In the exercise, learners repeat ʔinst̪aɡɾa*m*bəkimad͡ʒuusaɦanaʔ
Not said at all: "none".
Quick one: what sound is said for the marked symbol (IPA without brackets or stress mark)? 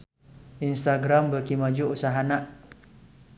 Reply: m